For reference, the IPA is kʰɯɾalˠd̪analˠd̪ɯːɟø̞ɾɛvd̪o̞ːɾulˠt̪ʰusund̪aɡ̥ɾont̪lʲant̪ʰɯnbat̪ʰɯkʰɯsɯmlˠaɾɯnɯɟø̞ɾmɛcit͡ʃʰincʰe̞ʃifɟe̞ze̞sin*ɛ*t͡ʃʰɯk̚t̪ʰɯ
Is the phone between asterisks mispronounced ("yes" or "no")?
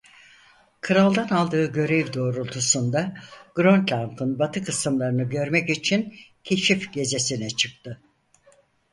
no